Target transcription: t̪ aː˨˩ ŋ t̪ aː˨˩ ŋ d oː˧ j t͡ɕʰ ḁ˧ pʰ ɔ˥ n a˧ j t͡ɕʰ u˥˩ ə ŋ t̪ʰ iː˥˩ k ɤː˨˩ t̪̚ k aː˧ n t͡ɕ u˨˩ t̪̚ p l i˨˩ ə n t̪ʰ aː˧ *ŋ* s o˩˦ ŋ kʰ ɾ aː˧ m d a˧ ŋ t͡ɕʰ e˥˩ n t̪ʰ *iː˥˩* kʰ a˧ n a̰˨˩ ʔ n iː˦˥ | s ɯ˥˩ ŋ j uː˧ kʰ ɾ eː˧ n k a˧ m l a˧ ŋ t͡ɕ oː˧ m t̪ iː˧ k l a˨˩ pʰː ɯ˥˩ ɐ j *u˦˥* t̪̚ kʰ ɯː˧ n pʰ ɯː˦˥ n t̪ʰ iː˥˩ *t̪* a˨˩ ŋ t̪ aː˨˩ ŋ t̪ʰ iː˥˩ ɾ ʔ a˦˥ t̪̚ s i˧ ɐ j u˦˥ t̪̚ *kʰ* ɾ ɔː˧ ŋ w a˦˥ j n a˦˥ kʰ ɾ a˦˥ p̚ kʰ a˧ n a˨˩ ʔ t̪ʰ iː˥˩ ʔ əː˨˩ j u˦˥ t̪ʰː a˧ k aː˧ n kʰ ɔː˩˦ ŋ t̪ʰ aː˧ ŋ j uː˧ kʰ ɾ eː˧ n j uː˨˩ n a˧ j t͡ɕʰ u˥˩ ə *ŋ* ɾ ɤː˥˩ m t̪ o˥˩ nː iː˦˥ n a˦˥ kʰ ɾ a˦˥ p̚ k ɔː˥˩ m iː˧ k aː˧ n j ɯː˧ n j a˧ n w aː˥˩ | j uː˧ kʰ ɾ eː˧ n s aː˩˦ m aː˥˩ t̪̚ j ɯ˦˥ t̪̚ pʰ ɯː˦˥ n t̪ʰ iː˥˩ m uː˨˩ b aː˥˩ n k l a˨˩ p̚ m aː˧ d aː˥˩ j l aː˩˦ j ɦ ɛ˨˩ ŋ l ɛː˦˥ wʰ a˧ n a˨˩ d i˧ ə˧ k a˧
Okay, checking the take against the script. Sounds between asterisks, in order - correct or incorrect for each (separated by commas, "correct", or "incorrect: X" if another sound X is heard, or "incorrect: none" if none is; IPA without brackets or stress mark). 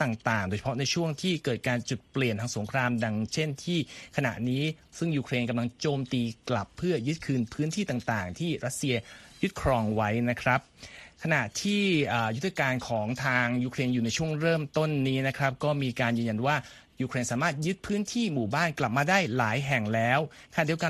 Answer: correct, correct, incorrect: ɯ˦˥, correct, correct, correct